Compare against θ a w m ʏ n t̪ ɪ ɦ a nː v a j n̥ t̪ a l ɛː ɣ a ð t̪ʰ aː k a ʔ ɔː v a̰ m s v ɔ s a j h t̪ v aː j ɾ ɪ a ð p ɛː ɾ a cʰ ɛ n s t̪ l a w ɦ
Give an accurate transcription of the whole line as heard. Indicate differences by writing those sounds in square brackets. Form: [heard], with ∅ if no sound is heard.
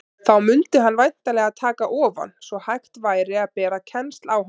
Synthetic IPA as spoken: θ a w m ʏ n t̪ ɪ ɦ a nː v a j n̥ t̪ a l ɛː ɣ a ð t̪ʰ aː k a ʔ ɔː v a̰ [n] s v ɔ [h] a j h t̪ v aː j ɾ ɪ a ð p ɛː ɾ a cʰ ɛ n s t̪ l a w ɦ